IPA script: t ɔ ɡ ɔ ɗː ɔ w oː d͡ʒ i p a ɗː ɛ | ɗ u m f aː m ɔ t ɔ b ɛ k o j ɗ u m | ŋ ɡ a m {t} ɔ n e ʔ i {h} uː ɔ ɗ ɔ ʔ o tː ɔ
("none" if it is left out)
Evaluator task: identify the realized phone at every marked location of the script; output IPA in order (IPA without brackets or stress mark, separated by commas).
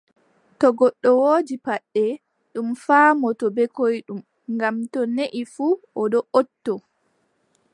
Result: t, f